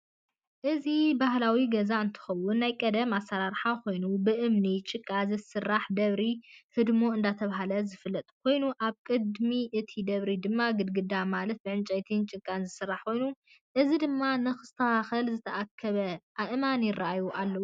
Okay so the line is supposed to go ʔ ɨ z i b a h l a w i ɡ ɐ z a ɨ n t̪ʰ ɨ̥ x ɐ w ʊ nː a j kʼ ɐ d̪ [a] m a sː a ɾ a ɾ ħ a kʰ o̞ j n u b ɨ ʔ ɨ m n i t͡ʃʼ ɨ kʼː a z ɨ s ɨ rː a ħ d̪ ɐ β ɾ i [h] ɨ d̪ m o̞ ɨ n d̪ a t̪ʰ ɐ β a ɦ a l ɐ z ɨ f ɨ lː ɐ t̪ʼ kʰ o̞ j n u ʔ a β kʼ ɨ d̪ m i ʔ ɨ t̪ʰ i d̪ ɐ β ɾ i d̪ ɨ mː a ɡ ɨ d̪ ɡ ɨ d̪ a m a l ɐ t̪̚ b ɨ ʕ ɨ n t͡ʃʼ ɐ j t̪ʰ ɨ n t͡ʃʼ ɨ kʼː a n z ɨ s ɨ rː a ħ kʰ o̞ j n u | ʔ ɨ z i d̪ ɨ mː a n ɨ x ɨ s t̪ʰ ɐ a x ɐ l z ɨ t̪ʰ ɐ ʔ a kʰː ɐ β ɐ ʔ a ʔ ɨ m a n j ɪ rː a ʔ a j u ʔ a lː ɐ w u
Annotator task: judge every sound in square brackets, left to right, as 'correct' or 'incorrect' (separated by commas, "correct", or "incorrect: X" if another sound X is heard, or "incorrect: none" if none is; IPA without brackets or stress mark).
incorrect: ɐ, correct